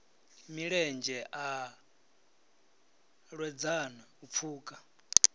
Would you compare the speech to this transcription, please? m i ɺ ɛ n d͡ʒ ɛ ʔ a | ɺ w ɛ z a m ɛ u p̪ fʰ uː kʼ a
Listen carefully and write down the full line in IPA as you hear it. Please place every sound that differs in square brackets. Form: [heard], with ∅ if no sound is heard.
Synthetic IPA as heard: m i ɺ ɛ n d͡ʒ ɛ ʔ a | ɺ w ɛ [d͡z] a [n] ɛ u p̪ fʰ uː kʼ a

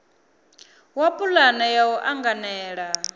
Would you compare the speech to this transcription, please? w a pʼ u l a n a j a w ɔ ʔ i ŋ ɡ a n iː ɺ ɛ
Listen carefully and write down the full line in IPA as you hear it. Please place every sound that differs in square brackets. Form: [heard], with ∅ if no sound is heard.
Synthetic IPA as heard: w a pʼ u l a n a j a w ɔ ʔ [a] ŋ ɡ a n [ɛː] ɺ [a]

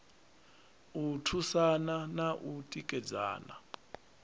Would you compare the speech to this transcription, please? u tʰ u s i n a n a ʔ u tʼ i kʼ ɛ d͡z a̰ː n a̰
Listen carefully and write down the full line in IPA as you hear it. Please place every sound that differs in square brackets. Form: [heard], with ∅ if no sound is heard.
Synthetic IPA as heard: u tʰ u s [a] n a n a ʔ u tʼ i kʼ ɛ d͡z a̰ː n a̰

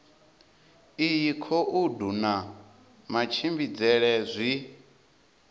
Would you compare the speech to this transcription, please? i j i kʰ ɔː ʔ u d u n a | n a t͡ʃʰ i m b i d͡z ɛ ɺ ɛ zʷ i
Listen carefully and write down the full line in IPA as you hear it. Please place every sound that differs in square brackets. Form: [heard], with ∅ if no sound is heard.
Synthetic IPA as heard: i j i kʰ [ɔ] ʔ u d u n a | [m] a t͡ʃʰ i m b i d͡z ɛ ɺ ɛ zʷ i

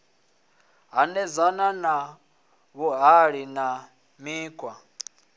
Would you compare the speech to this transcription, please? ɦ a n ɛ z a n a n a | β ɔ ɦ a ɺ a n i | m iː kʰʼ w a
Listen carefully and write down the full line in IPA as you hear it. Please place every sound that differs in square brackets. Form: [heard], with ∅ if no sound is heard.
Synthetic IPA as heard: ɦ a n ɛ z a n a n a | β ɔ ɦ a ɺ [i] n [a] | m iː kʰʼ w a

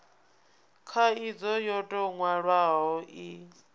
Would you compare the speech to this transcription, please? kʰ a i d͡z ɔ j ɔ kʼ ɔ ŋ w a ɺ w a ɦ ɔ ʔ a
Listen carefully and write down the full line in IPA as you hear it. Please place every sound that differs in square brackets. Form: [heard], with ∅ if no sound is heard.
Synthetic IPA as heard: kʰ a i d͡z ɔ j ɔ [tʼ] ɔ ŋ w a ɺ w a ɦ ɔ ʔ [i]

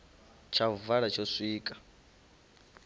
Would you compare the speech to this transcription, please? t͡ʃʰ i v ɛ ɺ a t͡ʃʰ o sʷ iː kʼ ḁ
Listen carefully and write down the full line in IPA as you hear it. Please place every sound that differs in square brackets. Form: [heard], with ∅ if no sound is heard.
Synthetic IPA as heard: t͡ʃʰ [a] v [a] ɺ a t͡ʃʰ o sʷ iː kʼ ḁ

